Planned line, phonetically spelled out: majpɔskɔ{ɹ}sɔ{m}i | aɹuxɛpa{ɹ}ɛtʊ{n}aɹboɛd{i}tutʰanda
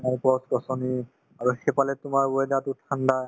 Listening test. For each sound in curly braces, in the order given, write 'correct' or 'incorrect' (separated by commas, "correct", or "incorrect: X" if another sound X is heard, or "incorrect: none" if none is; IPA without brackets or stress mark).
incorrect: none, incorrect: n, incorrect: l, incorrect: m, incorrect: a